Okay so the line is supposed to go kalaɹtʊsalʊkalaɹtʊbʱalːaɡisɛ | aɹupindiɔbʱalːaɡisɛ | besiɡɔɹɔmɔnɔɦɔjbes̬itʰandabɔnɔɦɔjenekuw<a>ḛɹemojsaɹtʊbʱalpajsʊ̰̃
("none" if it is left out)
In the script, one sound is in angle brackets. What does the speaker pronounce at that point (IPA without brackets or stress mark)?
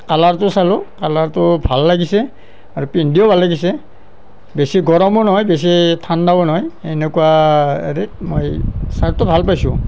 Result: a